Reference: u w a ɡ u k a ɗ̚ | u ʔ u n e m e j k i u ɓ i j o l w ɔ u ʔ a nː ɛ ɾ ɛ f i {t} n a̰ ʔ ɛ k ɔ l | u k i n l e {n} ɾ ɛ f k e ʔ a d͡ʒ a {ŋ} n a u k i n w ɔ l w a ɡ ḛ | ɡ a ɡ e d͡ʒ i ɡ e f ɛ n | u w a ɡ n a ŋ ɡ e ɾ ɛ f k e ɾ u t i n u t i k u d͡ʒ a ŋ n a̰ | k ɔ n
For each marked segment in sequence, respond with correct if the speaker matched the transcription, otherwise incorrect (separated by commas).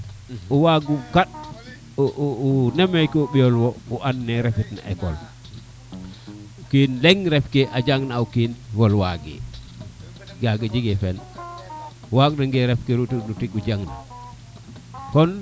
correct, incorrect, correct